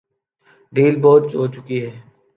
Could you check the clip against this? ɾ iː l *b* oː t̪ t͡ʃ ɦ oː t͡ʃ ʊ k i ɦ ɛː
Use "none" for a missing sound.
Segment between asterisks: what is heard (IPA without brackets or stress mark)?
b